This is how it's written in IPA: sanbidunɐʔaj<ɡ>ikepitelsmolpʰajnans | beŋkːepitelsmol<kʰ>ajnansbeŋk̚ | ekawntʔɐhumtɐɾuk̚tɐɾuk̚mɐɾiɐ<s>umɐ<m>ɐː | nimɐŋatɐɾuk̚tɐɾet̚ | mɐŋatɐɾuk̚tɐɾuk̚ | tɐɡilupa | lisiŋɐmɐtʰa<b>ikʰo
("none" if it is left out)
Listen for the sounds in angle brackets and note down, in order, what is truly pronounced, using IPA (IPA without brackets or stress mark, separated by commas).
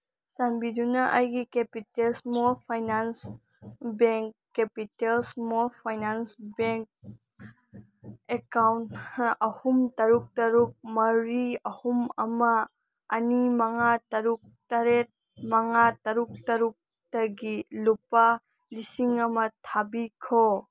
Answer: ɡ, pʰ, h, m, b